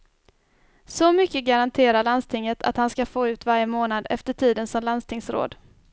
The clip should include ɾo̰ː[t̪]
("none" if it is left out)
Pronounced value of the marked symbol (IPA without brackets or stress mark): d̪